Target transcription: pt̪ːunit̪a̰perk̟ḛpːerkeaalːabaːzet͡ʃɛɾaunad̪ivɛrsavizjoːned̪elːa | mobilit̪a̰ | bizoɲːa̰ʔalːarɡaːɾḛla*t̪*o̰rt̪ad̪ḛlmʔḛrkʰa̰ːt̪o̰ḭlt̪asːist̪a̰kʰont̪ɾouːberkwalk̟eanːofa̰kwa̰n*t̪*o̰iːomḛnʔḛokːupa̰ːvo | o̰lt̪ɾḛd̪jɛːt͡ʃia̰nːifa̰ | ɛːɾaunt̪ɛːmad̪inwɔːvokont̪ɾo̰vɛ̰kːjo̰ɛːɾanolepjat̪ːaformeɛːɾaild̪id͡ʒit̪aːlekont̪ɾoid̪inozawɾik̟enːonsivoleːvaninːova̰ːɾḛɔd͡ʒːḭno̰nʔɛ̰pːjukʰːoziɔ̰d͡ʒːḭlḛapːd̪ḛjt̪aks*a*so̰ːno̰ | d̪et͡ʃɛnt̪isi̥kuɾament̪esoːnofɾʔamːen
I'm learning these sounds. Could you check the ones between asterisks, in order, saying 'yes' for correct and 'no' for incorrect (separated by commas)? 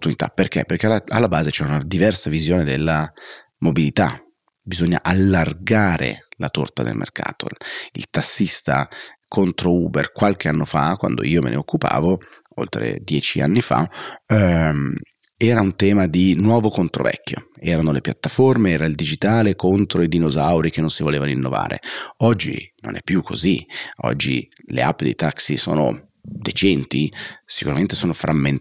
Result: yes, no, no